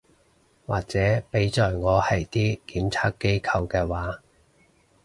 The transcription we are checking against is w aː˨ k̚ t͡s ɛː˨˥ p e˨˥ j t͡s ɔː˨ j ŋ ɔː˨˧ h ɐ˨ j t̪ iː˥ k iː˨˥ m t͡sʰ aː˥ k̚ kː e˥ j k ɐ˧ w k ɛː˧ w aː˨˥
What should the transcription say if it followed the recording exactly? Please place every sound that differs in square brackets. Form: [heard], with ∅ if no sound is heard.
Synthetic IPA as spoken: w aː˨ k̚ t͡s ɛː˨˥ p e˨˥ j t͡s ɔː˨ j ŋ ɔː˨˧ h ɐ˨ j t̪ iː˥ k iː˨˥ m t͡sʰ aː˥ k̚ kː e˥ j [kʰ] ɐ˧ w k ɛː˧ w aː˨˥